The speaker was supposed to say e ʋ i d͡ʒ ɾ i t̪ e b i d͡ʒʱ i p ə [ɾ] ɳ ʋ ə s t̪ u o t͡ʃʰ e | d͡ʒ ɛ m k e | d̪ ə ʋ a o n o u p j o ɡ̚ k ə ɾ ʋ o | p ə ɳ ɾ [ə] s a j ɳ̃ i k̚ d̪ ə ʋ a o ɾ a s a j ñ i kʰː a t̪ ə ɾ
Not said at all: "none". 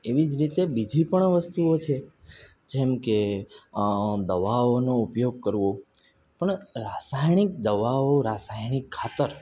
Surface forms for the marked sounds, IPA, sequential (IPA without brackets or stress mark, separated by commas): none, a